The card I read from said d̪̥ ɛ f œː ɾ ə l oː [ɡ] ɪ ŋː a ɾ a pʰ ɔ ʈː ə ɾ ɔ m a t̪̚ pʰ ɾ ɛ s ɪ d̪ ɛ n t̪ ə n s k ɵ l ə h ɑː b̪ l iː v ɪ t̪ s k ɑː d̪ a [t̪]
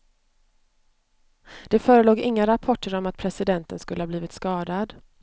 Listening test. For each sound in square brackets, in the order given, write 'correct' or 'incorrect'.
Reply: correct, incorrect: d̪

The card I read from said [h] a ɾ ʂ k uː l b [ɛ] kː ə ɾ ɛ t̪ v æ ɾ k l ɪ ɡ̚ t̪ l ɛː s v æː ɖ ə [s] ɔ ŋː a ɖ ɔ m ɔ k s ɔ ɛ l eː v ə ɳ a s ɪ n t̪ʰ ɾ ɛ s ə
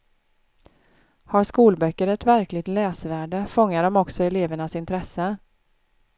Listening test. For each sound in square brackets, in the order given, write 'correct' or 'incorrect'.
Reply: correct, incorrect: œ, incorrect: f

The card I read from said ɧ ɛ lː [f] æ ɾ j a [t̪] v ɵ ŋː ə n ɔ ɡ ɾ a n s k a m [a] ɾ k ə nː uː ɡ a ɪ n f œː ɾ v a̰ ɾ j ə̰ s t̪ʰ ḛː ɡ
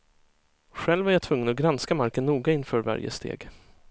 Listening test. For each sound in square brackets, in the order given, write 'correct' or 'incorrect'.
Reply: incorrect: v, incorrect: t̪ʰ, correct

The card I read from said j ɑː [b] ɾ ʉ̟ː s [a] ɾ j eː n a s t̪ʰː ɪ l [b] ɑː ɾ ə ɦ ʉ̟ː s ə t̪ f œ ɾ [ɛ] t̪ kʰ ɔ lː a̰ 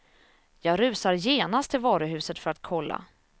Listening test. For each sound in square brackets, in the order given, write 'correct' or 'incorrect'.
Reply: incorrect: ɡ, correct, incorrect: v, incorrect: a

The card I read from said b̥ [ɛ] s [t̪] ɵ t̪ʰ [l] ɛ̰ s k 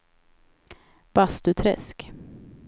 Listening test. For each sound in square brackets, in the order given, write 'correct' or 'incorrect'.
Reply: incorrect: a, correct, incorrect: ɾ

